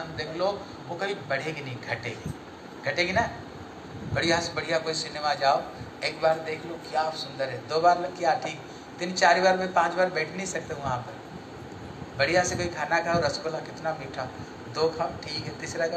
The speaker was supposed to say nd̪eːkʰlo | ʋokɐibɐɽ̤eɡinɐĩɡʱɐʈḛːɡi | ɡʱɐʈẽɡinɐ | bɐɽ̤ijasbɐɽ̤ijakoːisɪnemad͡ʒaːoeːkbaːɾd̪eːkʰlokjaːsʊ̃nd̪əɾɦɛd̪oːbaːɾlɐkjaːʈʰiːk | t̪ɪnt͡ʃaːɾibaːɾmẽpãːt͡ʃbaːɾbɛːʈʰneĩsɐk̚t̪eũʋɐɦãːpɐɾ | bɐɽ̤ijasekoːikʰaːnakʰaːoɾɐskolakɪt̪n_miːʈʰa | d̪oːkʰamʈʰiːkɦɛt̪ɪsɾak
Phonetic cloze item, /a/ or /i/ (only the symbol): a